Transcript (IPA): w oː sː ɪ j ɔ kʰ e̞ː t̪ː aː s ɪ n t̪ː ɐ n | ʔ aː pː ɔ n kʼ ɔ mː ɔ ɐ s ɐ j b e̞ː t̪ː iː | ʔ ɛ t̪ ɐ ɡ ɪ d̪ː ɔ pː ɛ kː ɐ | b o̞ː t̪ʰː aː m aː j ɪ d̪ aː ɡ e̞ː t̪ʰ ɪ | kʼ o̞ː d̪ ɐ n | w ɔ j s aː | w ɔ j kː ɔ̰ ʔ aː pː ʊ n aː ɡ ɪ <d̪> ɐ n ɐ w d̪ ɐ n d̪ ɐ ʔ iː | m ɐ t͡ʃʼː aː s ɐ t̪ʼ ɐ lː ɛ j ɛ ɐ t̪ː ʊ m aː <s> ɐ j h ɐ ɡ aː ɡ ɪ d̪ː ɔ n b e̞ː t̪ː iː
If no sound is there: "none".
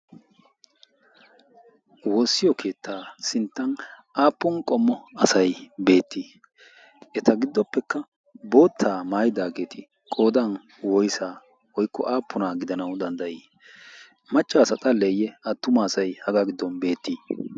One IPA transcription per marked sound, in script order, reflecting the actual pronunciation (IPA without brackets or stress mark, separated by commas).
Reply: d̪, s